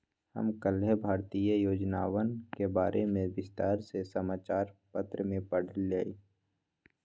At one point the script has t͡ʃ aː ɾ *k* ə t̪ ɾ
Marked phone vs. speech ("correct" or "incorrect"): incorrect